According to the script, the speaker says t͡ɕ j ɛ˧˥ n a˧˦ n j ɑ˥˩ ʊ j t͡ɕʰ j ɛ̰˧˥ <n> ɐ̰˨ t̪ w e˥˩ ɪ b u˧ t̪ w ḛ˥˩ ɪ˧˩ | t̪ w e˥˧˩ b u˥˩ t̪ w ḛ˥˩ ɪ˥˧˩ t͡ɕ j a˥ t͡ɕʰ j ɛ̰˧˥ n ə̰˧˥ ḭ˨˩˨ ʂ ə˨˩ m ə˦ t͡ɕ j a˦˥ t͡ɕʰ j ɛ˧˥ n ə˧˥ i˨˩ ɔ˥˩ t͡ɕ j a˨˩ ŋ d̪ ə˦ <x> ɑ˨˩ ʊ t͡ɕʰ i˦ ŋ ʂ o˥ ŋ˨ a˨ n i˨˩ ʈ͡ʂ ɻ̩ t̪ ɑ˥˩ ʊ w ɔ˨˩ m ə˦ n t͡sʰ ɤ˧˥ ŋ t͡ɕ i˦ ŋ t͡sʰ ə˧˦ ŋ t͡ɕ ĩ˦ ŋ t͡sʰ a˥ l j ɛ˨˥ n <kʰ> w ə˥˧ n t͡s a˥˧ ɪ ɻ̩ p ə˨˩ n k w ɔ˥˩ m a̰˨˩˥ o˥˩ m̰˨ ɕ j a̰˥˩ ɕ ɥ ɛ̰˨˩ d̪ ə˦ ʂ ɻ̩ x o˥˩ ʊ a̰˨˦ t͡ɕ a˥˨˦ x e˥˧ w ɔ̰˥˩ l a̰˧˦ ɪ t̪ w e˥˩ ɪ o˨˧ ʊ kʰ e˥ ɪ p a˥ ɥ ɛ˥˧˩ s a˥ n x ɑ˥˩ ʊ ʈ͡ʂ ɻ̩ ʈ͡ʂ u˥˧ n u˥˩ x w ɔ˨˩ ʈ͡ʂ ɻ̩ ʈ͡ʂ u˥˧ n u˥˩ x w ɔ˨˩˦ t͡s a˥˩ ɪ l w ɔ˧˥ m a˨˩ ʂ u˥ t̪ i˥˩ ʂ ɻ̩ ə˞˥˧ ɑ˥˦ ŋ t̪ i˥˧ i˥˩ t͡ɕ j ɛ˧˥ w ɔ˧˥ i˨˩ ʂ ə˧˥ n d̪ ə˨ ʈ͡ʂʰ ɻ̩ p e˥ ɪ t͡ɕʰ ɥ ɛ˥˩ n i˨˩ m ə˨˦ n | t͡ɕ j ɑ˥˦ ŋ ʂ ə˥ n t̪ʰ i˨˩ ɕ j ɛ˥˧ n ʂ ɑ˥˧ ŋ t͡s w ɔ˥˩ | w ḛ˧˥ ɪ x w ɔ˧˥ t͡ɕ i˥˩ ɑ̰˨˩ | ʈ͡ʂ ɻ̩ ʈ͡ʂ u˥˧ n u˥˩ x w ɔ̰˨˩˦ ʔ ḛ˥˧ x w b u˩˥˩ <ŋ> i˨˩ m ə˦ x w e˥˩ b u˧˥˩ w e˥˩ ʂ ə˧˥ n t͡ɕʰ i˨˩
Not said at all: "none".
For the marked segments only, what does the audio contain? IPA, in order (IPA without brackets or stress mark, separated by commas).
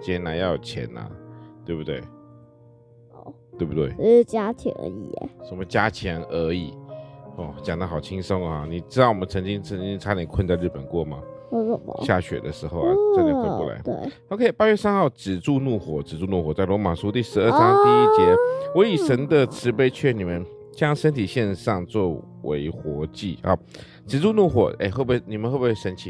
n, x, kʰ, n